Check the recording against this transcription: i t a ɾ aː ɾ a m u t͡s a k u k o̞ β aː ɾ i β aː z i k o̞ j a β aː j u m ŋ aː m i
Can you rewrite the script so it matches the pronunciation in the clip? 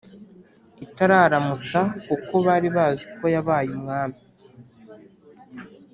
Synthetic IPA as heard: i t a ɾ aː ɾ a m u t͡s a k u k o̞ β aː ɾ i β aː z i k o̞ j a β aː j u m ŋ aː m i